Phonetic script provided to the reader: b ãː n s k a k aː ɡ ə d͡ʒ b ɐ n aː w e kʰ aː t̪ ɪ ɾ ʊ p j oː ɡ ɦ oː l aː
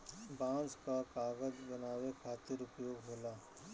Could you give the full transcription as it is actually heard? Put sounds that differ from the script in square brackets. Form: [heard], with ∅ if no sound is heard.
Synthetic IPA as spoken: b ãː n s k a k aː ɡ ə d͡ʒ b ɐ n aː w e kʰ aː t̪ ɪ ɾ ʊ p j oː ɡ ɦ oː l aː

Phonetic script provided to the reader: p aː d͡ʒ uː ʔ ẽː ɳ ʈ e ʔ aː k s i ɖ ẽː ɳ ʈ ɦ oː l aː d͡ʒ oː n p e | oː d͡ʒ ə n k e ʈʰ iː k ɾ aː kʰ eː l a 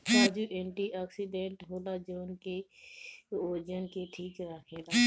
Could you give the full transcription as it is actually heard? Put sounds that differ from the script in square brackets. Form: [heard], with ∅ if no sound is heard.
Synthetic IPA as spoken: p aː d͡ʒ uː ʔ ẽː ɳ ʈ [i] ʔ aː k s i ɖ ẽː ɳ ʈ ɦ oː l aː d͡ʒ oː n [k] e | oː d͡ʒ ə n k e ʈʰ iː k ɾ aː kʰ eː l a

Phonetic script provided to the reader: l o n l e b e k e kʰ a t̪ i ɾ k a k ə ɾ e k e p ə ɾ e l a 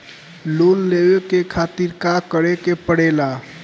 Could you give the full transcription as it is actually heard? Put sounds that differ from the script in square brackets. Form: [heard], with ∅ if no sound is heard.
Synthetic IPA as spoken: l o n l e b e k e kʰ a t̪ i ɾ k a k ə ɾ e k e p ə [ɽ] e l a

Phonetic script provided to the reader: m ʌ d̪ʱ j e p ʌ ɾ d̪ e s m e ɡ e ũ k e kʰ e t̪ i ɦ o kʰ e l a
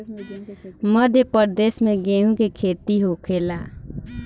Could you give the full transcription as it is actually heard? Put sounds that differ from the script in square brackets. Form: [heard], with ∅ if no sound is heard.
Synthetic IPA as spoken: m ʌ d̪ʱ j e p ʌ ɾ d̪ e s m e ɡ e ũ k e kʰ e t̪ i ɦ o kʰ e l a

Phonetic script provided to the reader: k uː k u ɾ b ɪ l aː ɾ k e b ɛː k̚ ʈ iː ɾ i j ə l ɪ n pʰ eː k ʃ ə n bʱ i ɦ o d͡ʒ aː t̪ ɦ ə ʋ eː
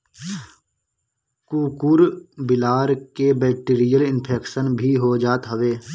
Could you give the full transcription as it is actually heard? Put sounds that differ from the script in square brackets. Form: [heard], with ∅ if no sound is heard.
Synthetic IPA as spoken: k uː k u ɾ b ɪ l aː ɾ k e b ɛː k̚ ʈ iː ɾ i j ə l ɪ n pʰ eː k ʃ ə n bʱ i ɦ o d͡ʒ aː t̪ ɦ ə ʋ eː

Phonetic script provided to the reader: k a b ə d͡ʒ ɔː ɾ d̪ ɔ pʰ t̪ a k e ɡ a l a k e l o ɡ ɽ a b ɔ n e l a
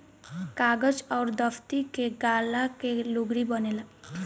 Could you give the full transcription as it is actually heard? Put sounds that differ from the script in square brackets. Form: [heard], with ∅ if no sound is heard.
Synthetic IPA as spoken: k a [ɡ] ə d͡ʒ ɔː ɾ d̪ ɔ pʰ t̪ [i] k e ɡ a l a k e l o ɡ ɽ [i] b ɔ n e l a

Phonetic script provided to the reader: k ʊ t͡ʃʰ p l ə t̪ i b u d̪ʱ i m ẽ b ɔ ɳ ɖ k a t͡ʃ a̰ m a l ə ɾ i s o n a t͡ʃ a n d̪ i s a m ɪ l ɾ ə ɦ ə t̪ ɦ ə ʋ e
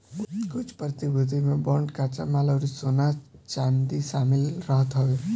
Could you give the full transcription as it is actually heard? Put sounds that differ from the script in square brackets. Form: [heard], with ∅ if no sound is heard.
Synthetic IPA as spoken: k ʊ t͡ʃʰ p [ɾ] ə t̪ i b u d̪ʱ i m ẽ b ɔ ɳ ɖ k a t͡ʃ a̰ m a l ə ɾ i s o n a t͡ʃ a n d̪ i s a m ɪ l ɾ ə ɦ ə t̪ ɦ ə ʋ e

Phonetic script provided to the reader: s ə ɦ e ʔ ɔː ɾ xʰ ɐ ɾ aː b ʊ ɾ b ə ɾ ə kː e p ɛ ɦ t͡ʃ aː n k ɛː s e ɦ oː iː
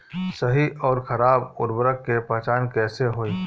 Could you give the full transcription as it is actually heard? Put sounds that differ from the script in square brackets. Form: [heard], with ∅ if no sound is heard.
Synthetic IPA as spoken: s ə ɦ [i] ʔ ɔː ɾ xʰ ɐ ɾ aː b ʊ ɾ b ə ɾ ə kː e p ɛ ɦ t͡ʃ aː n k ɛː s e ɦ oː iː

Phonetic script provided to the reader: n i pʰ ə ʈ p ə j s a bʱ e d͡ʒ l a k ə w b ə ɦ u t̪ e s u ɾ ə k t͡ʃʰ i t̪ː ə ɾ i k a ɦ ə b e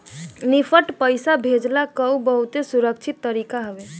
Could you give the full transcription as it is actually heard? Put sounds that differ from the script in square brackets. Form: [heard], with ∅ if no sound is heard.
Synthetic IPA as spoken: n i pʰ ə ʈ p ə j s a bʱ e d͡ʒ l a k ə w b ə ɦ u t̪ e s u ɾ ə k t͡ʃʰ i t̪ː ə ɾ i k a ɦ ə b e

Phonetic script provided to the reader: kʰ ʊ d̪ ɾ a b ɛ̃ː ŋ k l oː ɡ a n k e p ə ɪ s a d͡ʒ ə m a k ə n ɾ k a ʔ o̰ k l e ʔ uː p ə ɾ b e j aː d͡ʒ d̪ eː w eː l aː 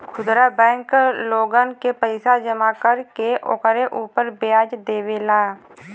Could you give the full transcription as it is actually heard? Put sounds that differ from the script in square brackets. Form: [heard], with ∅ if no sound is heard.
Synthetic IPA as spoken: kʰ ʊ d̪ ɾ a b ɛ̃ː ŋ k l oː ɡ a n k e p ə ɪ s a d͡ʒ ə m a k ə [∅] ɾ k [e] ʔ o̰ k [ɾ] e ʔ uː p ə ɾ b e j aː d͡ʒ d̪ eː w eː l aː

